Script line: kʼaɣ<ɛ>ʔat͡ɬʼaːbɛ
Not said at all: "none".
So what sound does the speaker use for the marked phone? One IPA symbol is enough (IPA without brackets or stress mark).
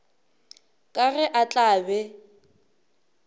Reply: ɛ